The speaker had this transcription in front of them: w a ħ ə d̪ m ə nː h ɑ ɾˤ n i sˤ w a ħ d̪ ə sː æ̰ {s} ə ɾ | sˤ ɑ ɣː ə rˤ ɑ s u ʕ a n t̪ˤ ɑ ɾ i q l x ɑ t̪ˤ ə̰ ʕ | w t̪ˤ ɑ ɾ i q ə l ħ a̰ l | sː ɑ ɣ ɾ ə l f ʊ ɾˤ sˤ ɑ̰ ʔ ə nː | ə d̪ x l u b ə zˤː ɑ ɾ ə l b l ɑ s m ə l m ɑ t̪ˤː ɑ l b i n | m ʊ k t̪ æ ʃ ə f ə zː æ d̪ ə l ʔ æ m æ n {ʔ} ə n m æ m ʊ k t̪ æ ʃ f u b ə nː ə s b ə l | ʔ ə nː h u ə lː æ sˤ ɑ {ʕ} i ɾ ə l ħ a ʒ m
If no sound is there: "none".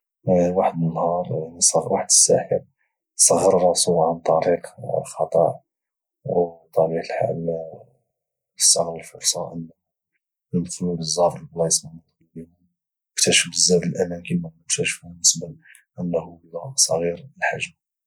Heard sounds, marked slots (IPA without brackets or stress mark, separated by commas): ħ, k, ɣ